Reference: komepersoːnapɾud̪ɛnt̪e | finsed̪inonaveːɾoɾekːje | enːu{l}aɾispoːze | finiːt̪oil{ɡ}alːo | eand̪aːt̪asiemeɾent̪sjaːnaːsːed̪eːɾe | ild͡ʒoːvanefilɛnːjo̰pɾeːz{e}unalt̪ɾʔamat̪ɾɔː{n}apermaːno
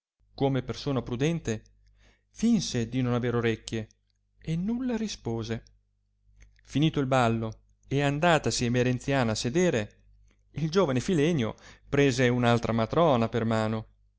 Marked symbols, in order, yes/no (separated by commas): no, no, yes, yes